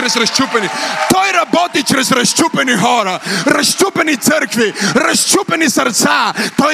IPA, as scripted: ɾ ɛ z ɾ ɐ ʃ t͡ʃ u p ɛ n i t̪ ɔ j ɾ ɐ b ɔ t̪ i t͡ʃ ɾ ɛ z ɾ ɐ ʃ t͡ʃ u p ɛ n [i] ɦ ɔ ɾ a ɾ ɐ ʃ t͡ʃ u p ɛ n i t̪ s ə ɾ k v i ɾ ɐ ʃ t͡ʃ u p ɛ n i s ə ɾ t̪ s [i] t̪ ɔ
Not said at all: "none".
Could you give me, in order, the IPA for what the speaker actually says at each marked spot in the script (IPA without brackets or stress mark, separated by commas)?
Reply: i, a